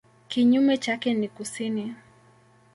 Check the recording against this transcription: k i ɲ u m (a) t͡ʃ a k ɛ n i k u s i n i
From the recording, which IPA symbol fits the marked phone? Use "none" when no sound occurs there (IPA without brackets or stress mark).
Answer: ɛ